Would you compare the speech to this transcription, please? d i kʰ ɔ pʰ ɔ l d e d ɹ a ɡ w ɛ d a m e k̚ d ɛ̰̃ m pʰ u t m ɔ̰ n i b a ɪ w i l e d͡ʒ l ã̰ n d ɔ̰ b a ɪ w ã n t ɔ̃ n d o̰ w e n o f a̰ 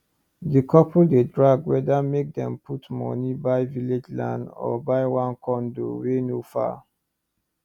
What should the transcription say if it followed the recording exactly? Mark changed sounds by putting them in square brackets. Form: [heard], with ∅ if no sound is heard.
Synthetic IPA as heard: d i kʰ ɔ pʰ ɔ l d e d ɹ a ɡ w ɛ d a m e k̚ d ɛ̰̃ m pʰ u t m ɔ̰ n i b a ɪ [v] i l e d͡ʒ l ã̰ n d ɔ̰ b a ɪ w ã n [k] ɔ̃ n d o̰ w e n o f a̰